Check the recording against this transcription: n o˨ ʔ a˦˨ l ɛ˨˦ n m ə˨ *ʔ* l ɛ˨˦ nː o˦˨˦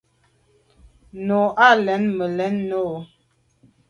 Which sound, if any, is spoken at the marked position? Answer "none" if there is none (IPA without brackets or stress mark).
none